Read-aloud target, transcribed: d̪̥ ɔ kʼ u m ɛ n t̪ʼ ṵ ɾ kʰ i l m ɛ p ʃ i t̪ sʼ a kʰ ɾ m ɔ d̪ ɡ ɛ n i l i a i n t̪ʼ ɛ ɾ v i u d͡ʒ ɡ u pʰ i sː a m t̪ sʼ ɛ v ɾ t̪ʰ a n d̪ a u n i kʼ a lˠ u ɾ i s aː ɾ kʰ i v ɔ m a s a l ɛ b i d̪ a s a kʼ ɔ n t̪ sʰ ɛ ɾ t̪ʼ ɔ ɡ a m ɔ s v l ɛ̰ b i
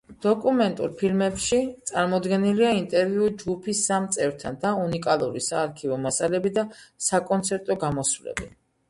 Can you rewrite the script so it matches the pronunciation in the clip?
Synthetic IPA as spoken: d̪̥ ɔ kʼ u m ɛ n t̪ʼ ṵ ɾ pʰ i l m ɛ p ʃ i t̪ sʼ a ɾ m ɔ d̪ ɡ ɛ n i l i a i n t̪ʼ ɛ ɾ v i u d͡ʒ ɡ u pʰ i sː a m t̪ sʼ ɛ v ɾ t̪ʰ a n d̪ a u n i kʼ a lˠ u ɾ i s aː ɾ kʰ i v ɔ m a s a l ɛ b i d̪ a s a kʼ ɔ n t̪ sʰ ɛ ɾ t̪ʼ ɔ ɡ a m ɔ s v l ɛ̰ b i

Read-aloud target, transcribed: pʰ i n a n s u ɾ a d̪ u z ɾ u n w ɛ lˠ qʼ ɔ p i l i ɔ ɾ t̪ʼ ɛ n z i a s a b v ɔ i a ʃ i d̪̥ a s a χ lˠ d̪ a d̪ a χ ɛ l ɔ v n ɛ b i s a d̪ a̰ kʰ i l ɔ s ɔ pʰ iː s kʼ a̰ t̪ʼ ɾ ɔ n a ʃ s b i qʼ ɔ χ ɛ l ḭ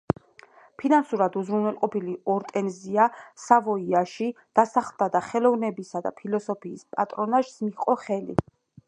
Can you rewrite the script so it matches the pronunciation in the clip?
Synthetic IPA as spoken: pʰ i n a n s u ɾ a d̪ u z ɾ u n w ɛ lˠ qʼ ɔ p i l i ɔ ɾ t̪ʼ ɛ n z i a s a v ɔ i a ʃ i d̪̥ a s a χ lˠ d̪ a d̪ a χ ɛ l ɔ v n ɛ b i s a d̪ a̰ pʰ i l ɔ s ɔ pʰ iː s pʼ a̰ t̪ʼ ɾ ɔ n a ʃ s m i qʼ ɔ χ ɛ l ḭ

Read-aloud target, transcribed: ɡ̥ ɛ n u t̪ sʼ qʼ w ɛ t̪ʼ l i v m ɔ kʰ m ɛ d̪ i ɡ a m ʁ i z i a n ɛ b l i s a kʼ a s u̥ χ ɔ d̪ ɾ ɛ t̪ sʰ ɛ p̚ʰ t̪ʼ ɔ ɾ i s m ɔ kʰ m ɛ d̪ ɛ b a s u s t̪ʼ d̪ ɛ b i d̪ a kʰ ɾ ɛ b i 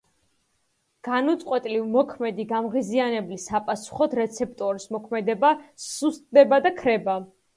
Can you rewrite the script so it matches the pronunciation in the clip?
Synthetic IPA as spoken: ɡ̥ a n u t̪ sʼ qʼ w ɛ t̪ʼ l i v m ɔ kʰ m ɛ d̪ i ɡ a m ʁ i z i a n ɛ b l i s a pʼ a s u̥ χ ɔ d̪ ɾ ɛ t̪ sʰ ɛ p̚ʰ t̪ʼ ɔ ɾ i s m ɔ kʰ m ɛ d̪ ɛ b a s u s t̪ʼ d̪ ɛ b a d̪ a kʰ ɾ ɛ b a

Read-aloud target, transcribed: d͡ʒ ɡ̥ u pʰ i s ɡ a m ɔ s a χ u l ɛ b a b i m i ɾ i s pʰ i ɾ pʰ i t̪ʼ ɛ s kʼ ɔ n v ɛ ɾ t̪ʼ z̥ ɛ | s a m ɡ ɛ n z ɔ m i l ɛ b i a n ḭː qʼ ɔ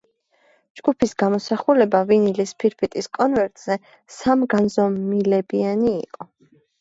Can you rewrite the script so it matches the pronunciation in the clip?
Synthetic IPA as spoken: d͡ʒ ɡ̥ u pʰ i s ɡ a m ɔ s a χ u l ɛ b a v i n i l i s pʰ i ɾ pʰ i t̪ʼ i s kʼ ɔ n v ɛ ɾ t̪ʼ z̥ ɛ | s a m ɡ a n z ɔ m i l ɛ b i a n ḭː qʼ ɔ

